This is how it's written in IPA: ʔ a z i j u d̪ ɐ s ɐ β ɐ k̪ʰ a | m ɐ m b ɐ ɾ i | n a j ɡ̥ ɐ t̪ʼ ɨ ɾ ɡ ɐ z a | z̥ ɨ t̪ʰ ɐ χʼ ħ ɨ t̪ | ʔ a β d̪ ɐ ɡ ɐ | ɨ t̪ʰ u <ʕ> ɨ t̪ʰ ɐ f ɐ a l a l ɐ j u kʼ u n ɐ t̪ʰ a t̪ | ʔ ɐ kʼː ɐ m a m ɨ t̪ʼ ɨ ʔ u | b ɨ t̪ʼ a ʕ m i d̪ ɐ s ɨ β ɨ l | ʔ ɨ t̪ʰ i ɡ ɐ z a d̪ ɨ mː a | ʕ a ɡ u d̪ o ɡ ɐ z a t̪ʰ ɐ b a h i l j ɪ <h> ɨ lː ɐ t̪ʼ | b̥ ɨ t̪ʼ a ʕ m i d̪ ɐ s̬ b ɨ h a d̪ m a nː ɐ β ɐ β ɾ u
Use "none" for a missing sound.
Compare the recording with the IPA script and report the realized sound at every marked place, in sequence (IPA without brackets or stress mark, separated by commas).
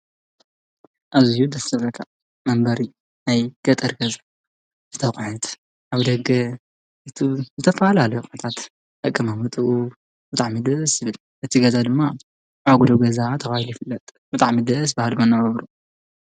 z, f